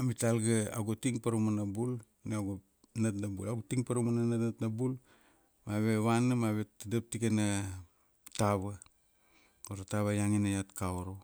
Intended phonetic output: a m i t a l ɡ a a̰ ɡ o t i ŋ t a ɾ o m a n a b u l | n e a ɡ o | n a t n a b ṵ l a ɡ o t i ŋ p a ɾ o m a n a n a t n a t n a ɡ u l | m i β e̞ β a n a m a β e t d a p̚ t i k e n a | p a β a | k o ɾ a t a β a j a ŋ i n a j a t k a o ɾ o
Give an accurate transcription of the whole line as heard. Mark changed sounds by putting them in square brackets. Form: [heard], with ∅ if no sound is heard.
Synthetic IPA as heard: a m i t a l ɡ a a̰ ɡ o t i ŋ [p] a ɾ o m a n a b u l | n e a ɡ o | n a t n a b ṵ l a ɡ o t i ŋ p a ɾ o m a n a n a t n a t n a [b] u l | m [a] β e̞ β a n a m a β e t d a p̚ t i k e n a | [t] a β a | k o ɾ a t a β a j a ŋ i n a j a t k a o ɾ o